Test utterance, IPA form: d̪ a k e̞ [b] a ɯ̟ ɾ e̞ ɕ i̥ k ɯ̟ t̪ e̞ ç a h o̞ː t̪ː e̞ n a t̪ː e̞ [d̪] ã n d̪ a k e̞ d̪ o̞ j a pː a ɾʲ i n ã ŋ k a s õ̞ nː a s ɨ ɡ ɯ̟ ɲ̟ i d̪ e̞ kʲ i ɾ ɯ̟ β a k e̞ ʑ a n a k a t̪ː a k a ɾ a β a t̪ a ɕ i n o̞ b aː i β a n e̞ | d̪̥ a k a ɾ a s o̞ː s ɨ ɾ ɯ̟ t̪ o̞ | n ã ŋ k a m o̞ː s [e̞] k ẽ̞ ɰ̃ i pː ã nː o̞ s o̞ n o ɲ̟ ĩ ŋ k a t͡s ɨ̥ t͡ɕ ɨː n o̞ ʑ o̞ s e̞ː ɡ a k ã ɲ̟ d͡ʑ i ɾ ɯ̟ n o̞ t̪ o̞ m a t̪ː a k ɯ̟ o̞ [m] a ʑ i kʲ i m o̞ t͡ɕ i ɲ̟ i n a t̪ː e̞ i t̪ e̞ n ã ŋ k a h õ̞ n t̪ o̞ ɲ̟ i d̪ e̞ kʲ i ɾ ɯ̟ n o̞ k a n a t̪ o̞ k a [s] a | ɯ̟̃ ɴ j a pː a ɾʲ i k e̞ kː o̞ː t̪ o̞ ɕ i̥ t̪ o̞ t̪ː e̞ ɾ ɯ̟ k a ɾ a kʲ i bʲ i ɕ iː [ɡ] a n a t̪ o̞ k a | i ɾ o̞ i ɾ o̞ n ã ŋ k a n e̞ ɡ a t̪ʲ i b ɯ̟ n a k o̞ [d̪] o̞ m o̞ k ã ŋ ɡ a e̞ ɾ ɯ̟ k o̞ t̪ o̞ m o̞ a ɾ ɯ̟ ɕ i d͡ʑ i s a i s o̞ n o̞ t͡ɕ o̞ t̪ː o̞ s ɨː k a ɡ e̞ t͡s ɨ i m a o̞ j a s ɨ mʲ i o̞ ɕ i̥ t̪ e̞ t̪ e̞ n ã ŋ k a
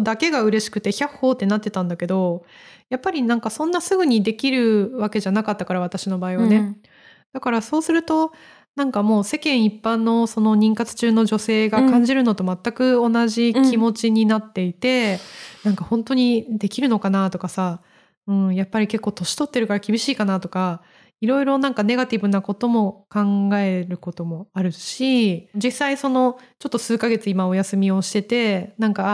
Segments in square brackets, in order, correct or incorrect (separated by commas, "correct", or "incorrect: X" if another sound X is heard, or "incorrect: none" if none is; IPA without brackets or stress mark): incorrect: ɡ, incorrect: t̪, correct, incorrect: n, correct, incorrect: k, incorrect: t̪